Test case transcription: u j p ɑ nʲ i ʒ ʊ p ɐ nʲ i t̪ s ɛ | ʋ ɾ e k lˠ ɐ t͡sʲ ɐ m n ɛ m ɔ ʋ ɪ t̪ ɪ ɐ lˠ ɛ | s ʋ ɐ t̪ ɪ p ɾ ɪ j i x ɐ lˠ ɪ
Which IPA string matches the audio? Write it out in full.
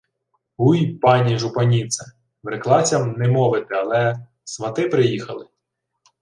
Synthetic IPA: u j p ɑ nʲ i ʒ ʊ p ɐ nʲ i t̪ s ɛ | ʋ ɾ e k lˠ ɑ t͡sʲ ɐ m n ɛ m ɔ ʋ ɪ t̪ ɪ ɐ lˠ ɛ | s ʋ ɐ t̪ ɪ p ɾ ɪ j i x ɐ lˠ ɪ